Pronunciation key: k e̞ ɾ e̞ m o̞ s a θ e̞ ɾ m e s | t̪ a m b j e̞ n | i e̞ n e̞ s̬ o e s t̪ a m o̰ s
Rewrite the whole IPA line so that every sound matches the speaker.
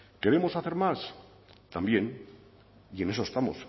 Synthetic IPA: k e̞ ɾ e̞ m o̞ s a θ e̞ ɾ m a s | t̪ a m b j e̞ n | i e̞ n e̞ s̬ o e s t̪ a m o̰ s